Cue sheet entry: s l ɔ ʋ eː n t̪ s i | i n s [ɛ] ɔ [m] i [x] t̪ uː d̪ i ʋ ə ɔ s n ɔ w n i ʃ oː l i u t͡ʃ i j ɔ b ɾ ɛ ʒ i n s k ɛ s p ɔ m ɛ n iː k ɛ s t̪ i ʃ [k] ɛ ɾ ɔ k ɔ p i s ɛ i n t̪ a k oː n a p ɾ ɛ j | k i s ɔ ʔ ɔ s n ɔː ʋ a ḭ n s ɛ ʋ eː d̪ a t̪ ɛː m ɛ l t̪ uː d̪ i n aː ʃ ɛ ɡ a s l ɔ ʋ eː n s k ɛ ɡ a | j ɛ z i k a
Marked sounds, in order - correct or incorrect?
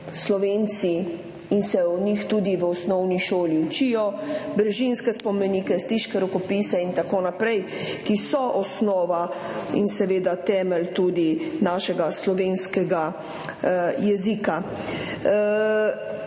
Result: correct, incorrect: n, correct, correct

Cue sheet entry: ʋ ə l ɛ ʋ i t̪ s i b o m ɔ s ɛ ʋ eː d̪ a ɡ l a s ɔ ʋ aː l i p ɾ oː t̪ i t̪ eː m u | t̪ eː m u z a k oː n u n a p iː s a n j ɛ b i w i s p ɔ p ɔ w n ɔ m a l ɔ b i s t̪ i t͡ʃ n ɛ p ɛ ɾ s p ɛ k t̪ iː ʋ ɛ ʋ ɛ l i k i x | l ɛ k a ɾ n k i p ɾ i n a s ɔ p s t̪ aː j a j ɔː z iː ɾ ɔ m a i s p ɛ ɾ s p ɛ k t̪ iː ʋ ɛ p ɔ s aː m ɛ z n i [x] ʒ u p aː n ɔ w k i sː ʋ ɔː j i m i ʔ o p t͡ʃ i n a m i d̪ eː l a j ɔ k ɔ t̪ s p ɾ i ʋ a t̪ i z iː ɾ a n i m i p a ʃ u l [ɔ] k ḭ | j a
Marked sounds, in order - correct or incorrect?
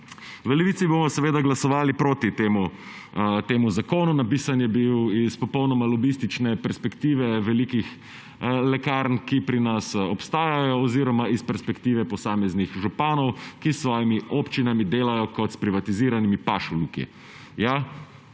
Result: correct, incorrect: u

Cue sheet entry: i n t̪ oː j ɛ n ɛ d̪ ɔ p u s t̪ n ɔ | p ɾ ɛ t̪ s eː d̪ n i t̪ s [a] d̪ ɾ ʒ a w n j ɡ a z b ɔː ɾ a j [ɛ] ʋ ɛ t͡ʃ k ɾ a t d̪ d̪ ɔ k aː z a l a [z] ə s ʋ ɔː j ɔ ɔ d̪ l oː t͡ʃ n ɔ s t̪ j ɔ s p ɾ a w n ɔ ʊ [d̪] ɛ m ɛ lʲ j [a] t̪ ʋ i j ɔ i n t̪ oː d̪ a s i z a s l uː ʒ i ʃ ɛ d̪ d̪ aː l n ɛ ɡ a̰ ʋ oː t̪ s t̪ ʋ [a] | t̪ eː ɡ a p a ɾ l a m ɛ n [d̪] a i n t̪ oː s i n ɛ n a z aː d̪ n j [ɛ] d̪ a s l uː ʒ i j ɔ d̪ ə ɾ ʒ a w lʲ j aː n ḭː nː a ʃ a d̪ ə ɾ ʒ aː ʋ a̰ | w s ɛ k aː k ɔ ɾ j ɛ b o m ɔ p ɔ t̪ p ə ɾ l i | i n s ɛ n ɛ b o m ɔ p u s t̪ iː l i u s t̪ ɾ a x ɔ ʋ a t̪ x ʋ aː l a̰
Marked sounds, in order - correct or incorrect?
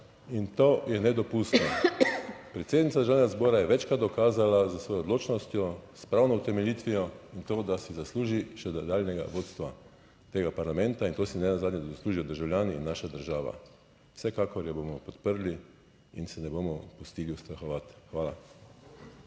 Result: correct, correct, correct, incorrect: t̪, incorrect: i, correct, incorrect: t̪, correct

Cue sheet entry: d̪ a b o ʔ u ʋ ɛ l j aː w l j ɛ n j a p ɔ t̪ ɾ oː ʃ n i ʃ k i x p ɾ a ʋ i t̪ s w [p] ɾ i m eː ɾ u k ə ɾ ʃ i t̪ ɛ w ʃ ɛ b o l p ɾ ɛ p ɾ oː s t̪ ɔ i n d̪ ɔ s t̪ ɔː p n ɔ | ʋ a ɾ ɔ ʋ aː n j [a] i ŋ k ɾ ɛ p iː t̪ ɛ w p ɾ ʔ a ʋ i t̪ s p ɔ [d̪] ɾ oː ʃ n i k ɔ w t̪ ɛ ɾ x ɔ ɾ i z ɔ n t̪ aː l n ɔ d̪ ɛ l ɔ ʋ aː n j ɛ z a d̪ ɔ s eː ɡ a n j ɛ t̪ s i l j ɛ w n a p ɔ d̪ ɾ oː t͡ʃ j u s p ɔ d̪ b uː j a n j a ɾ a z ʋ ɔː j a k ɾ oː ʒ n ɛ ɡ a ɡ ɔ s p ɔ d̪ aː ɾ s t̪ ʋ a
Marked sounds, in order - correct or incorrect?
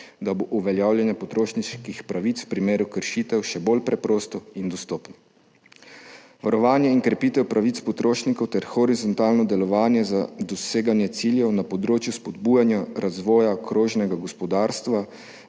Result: correct, incorrect: ɛ, incorrect: t̪

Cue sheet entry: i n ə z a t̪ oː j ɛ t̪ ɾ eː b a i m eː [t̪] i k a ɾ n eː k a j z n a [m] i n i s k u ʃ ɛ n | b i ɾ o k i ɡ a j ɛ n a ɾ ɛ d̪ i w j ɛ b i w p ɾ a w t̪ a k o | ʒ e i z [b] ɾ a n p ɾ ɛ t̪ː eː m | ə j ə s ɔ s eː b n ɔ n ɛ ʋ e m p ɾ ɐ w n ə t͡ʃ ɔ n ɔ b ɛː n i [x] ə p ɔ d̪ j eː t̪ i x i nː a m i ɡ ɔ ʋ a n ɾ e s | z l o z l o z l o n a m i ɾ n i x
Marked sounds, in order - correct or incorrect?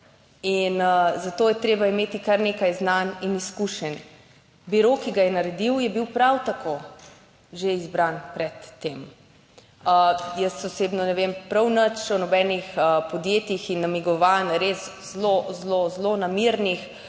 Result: correct, incorrect: n, correct, correct

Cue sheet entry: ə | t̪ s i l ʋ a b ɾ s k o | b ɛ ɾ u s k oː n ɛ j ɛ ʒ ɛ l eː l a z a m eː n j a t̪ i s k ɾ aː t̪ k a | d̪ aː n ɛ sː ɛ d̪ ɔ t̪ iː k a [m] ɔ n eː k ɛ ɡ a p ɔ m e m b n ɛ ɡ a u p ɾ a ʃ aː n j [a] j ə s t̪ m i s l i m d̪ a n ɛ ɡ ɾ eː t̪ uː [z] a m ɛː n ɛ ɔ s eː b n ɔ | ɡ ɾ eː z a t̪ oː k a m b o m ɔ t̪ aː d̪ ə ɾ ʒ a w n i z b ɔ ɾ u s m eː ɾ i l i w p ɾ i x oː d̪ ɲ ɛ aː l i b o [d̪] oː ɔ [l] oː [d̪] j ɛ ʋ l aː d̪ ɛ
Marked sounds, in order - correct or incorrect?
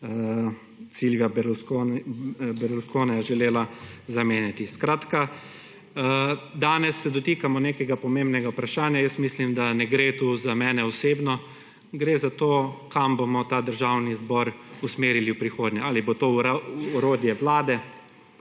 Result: correct, correct, correct, incorrect: t̪, incorrect: ɾ, correct

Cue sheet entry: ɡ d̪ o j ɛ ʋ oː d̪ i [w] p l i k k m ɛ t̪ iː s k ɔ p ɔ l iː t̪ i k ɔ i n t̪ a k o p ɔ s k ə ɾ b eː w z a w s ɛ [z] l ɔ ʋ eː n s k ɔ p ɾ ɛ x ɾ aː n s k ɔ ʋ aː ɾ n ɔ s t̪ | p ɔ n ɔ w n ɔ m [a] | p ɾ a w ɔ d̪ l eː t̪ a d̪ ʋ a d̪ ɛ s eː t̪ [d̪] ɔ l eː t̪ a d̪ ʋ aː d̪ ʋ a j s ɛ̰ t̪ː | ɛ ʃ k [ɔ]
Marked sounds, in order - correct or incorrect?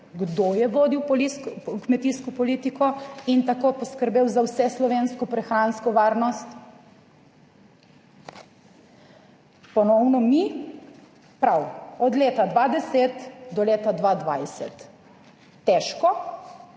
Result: correct, incorrect: s, incorrect: i, correct, correct

